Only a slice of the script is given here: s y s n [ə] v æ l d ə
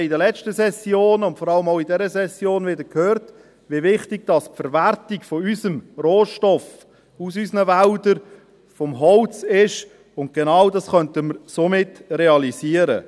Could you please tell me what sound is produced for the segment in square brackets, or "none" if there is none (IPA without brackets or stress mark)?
ə